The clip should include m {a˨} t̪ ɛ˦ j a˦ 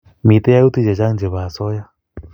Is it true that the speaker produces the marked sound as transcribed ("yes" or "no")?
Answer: no